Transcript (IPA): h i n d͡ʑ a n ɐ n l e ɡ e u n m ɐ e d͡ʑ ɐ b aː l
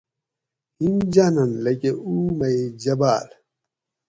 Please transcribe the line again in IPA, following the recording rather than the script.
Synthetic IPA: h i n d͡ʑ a n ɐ n l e k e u m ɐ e d͡ʑ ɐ b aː l